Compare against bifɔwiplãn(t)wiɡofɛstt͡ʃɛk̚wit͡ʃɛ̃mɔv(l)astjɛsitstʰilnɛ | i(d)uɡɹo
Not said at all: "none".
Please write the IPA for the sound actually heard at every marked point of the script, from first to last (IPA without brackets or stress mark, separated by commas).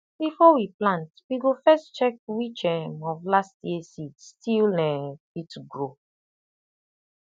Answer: t, l, t